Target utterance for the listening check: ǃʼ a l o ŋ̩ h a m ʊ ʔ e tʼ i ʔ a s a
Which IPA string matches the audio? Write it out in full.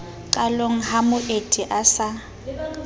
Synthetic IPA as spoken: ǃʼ a l o ŋ̩ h a m ʊ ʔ e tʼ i ʔ a s a